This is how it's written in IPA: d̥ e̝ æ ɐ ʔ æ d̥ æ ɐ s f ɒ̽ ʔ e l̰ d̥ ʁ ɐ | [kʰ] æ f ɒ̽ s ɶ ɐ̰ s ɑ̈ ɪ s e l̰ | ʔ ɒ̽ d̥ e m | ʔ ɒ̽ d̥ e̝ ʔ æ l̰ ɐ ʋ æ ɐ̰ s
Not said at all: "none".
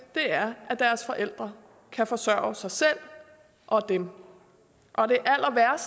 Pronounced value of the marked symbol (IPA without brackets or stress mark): kʰ